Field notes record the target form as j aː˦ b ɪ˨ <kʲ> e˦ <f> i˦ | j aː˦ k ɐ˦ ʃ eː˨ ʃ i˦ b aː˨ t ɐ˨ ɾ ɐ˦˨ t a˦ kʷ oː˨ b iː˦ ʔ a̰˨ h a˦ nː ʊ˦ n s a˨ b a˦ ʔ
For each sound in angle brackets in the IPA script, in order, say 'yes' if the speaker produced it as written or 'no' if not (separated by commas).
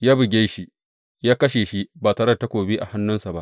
no, no